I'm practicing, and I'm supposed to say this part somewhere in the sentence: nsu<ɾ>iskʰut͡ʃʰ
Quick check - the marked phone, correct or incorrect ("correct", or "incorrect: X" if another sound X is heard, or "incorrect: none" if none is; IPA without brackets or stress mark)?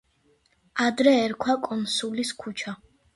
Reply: incorrect: l